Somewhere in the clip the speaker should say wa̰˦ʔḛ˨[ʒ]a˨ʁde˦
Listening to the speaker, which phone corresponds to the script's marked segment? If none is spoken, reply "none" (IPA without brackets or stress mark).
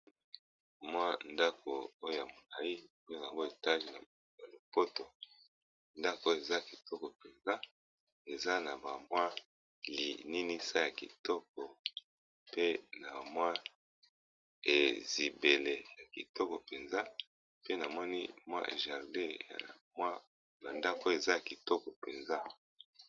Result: ʒ